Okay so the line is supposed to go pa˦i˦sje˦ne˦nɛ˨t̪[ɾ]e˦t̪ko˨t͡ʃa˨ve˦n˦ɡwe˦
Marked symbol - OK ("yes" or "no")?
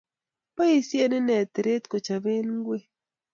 yes